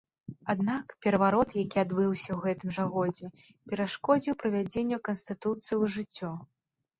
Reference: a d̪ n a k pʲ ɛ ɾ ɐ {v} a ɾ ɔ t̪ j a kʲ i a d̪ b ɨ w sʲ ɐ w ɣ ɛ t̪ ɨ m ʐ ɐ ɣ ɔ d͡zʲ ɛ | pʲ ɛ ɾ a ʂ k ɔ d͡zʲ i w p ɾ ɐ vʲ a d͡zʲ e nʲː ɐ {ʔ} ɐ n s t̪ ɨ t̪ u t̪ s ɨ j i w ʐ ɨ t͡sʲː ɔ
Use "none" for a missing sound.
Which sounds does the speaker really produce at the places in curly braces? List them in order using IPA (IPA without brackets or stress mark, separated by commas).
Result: v, k